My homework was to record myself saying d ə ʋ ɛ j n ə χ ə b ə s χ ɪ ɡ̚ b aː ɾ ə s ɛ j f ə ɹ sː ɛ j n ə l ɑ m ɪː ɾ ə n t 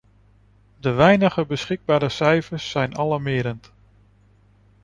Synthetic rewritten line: d ə ʋ ɛ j n ə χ ə b ə s χ ɪ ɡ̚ b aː ɾ ə s ɛ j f ə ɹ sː ɛ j n ɑ l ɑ m ɪː ɾ ə n t